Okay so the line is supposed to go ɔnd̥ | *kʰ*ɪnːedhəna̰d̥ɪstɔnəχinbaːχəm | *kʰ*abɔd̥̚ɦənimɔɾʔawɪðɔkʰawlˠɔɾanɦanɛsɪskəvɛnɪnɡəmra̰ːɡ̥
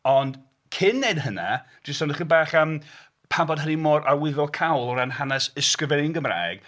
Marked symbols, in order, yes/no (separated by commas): yes, no